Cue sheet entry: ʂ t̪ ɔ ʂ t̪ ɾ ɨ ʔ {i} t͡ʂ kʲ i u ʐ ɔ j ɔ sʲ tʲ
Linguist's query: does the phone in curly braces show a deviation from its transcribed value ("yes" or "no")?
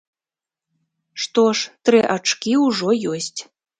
yes